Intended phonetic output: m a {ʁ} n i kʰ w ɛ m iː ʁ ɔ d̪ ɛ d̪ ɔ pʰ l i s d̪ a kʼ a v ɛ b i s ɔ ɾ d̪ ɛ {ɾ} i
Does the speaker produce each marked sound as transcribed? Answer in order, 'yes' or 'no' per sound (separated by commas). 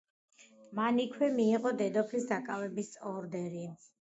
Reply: no, yes